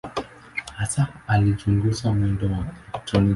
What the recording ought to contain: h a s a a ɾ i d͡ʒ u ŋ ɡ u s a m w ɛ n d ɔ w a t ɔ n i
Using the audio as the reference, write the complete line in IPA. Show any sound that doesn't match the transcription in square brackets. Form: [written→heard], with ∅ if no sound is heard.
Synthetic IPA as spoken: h a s a a [ɾ→l] i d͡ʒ u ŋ ɡ u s a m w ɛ n d ɔ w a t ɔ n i